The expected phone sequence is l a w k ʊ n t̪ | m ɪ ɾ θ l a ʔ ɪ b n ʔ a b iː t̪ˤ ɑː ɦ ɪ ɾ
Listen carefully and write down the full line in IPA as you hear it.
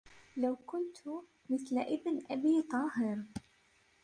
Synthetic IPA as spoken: l a w k ʊ n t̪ | m ɪ θ l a ʔ ɪ b n ʔ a b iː t̪ˤ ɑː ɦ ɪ ɾ